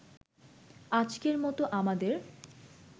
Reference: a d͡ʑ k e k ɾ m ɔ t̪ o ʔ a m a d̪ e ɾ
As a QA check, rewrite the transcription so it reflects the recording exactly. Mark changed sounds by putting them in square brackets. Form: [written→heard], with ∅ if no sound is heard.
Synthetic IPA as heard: a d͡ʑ k e [k→∅] ɾ m ɔ t̪ o ʔ a m a d̪ e ɾ